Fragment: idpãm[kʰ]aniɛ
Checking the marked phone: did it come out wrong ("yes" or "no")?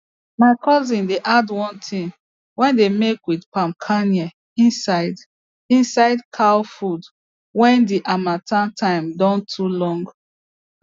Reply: no